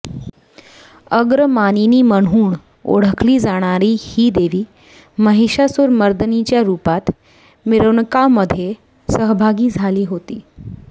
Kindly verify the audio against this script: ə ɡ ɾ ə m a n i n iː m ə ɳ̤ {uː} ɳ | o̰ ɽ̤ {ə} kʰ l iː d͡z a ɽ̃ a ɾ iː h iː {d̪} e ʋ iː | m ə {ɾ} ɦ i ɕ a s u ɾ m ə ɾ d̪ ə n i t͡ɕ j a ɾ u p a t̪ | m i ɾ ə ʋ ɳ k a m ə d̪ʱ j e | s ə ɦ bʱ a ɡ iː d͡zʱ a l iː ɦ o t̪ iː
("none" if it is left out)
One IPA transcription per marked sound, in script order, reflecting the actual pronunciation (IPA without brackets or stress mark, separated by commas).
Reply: uː, ə, d̪, none